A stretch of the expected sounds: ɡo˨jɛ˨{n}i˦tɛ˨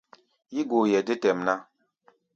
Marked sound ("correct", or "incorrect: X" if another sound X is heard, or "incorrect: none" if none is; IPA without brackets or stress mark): incorrect: d